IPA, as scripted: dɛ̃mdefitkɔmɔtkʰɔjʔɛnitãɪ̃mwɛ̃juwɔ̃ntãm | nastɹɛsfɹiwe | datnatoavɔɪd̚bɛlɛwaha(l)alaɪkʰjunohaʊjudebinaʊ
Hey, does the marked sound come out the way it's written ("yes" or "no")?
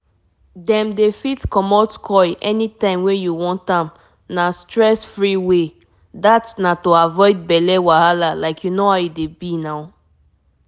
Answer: yes